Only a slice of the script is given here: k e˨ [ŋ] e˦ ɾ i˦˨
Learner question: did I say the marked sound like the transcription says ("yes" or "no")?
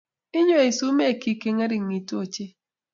yes